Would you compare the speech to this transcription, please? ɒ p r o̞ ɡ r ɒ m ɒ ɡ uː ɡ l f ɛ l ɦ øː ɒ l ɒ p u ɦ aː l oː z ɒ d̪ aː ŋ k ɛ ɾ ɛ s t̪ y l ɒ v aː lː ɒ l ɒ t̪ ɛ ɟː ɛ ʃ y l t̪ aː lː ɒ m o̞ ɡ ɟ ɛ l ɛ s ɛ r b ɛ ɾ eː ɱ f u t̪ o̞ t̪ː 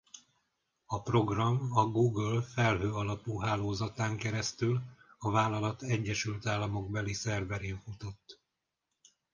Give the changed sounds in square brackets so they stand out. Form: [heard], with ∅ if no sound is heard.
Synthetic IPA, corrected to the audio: ɒ p r o̞ ɡ r ɒ m ɒ ɡ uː ɡ l f ɛ l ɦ øː ɒ l ɒ p u ɦ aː l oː z ɒ [t̪] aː ŋ k ɛ ɾ ɛ s t̪ y l ɒ v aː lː ɒ l ɒ t̪ ɛ ɟː ɛ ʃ y l t̪ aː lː ɒ m o̞ ɡ [b] ɛ l [i] s ɛ r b ɛ ɾ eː ɱ f u t̪ o̞ t̪ː